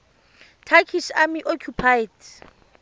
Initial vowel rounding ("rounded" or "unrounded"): unrounded